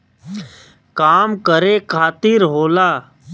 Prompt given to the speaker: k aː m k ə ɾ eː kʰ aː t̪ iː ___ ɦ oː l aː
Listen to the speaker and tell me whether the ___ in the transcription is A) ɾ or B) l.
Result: A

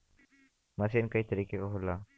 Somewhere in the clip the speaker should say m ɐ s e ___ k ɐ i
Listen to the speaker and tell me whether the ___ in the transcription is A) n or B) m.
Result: A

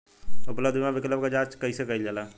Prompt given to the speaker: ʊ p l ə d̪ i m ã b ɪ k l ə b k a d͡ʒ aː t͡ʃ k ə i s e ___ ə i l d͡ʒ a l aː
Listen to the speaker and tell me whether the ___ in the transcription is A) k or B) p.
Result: A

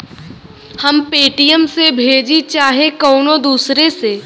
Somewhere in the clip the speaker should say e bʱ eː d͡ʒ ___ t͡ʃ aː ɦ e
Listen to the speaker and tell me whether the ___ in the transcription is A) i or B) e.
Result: A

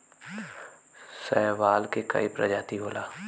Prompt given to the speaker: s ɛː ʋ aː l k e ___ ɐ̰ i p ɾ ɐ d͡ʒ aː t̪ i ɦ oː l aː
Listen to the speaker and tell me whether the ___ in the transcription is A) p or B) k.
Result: B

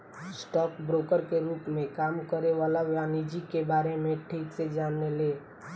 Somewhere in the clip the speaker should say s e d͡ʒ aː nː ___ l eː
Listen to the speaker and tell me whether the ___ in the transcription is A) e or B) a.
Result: A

